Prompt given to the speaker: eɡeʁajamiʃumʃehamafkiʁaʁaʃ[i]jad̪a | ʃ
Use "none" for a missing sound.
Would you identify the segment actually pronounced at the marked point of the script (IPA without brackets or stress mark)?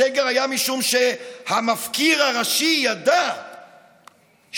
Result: i